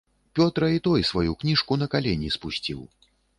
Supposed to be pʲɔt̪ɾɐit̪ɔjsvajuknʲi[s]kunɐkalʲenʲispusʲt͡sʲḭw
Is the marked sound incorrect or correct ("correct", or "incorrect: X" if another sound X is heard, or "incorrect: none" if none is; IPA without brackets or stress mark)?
incorrect: ʂ